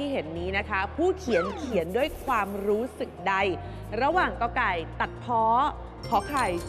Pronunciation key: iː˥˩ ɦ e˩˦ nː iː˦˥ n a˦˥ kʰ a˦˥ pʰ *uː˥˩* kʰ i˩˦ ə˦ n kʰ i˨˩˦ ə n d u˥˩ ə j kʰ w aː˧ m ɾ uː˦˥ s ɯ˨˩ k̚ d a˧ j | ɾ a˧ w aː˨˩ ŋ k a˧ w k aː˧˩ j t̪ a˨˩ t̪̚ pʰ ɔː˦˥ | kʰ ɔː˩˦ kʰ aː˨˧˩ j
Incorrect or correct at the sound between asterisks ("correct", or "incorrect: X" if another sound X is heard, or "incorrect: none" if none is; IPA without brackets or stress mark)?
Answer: correct